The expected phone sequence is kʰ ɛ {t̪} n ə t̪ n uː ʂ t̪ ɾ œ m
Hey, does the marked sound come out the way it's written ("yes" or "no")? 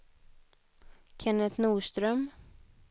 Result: no